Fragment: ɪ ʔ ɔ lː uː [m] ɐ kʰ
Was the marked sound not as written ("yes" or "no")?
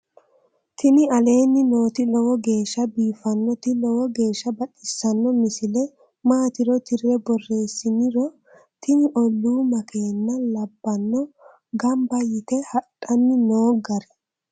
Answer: no